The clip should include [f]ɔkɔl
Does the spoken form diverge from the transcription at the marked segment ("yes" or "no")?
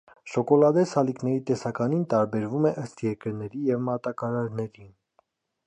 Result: yes